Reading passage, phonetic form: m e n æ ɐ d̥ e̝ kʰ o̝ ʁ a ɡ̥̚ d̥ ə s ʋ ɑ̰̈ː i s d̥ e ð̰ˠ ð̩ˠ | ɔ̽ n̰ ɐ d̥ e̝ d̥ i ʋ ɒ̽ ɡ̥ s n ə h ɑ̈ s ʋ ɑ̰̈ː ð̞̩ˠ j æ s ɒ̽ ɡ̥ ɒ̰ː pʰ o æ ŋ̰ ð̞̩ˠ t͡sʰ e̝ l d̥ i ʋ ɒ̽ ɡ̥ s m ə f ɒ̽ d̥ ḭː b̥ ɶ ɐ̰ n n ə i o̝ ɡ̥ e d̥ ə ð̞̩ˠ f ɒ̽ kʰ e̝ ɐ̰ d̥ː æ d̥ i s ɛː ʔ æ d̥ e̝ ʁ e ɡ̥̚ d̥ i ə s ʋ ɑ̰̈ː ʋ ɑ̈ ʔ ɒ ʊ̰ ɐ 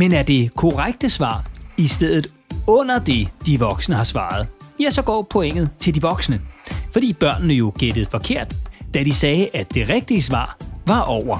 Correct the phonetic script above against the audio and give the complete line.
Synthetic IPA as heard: m e n æ ɐ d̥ e̝ kʰ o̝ ʁ a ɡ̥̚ d̥ ə s ʋ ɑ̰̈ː i s d̥ e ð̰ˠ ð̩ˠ | ɔ̽ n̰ ɐ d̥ e̝ d̥ i ʋ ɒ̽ ɡ̥ s n ə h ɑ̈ s ʋ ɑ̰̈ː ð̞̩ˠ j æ s ɒ̽ ɡ̥ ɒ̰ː pʰ o e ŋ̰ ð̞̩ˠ t͡sʰ e̝ l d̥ i ʋ ɒ̽ ɡ̥ s n ə f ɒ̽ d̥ ḭː b̥ ɶ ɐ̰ n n ə j o̝ ɡ̥ e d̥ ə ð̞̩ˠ f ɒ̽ kʰ e̝ ɐ̰ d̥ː æ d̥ i s ɛː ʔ æ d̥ e̝ ʁ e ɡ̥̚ d̥ i ə s ʋ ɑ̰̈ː ʋ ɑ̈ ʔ ɒ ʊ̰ ɐ